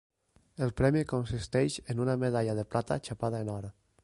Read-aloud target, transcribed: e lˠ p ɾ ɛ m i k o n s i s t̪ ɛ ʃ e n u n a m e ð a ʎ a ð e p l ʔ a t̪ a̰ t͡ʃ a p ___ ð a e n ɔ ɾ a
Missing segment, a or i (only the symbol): a